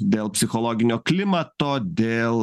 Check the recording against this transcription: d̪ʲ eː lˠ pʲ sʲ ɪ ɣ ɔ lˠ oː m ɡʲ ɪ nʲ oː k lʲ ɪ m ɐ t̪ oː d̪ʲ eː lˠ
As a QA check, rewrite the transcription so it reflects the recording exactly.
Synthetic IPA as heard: d̪ʲ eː lˠ pʲ sʲ ɪ x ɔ lˠ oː ɡʲ ɪ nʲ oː k lʲ ɪ m ɐ t̪ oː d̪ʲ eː lˠ